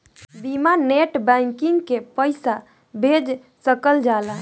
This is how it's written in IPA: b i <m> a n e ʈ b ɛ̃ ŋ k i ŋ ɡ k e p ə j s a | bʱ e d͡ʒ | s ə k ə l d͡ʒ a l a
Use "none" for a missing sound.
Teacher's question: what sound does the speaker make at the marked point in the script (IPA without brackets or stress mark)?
m